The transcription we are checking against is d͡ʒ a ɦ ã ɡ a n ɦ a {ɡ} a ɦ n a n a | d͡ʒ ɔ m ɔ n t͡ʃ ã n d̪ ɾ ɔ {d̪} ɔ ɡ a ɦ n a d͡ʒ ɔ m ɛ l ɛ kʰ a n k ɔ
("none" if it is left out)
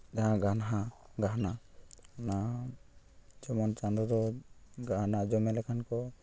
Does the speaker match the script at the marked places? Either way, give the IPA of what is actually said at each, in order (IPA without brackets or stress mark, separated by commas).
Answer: ɡ, d̪